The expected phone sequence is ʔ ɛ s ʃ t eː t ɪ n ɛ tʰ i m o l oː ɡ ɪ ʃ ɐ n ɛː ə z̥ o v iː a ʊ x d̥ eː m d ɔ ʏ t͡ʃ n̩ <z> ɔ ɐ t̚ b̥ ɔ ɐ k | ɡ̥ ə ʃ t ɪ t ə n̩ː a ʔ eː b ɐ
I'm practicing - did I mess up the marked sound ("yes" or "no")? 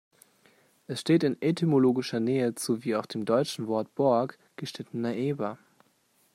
yes